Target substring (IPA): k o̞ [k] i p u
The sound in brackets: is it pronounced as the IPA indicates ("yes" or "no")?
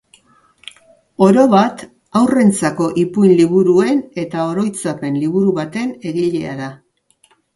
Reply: no